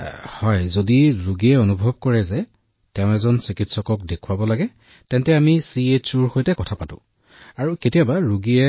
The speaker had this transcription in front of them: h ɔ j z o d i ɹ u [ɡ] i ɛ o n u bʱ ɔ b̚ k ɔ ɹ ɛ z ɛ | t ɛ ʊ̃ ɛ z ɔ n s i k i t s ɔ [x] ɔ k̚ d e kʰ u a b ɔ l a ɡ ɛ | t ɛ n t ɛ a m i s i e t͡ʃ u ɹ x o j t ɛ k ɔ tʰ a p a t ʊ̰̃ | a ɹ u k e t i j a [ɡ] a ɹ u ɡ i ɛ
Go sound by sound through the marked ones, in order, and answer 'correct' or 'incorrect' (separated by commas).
correct, incorrect, incorrect